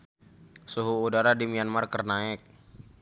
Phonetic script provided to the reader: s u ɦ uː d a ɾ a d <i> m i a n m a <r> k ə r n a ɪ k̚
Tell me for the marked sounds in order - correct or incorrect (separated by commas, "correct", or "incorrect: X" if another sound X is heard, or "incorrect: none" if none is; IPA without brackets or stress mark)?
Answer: correct, correct